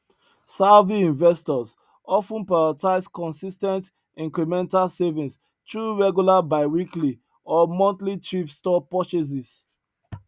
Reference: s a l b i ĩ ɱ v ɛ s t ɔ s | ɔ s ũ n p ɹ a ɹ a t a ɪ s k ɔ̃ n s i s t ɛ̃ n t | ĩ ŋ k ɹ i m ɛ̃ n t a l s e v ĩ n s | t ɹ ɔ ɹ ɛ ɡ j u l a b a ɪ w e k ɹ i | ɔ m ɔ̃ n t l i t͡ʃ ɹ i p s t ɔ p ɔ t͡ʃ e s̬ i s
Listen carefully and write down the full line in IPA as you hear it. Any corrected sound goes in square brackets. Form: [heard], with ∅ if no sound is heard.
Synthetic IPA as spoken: s a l [v] i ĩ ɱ v ɛ s t ɔ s | ɔ [f] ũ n p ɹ a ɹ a t a ɪ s k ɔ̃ n s i s t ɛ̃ n t | ĩ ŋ k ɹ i m ɛ̃ n t a l s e v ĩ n s | t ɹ [u] ɹ ɛ ɡ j u l a b a ɪ w [i] k [l] i | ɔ m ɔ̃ n t l i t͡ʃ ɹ i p s t ɔ p ɔ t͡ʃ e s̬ i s